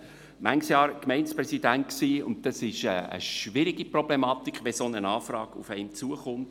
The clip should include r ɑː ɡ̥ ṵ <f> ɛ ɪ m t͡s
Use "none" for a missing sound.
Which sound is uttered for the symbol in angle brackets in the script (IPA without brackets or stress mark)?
f